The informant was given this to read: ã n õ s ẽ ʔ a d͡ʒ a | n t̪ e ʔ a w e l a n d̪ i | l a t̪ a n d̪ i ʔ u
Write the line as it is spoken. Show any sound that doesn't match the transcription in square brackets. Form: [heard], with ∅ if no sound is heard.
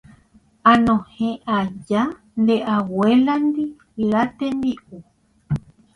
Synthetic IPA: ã n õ [h] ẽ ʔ a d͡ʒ a | n [d̪] e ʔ a w e l a n d̪ i | l a t̪ [e] n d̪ i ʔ u